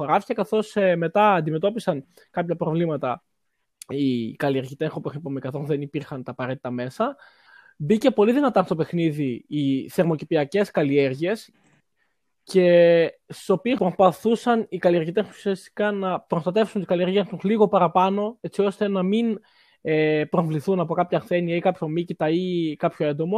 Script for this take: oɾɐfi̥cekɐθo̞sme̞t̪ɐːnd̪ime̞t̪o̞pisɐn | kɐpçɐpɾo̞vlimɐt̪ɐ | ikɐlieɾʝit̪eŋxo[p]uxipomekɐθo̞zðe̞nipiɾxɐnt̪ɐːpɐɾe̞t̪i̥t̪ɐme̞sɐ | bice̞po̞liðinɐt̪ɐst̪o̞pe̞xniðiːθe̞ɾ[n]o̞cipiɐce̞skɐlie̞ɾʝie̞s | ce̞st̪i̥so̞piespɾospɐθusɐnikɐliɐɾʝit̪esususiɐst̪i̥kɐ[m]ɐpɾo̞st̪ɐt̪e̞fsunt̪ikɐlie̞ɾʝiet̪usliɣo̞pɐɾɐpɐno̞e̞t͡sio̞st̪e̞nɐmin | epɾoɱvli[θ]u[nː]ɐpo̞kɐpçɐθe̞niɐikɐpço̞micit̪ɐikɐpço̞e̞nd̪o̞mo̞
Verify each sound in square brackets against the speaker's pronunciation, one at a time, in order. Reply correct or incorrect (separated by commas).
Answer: correct, incorrect, incorrect, correct, incorrect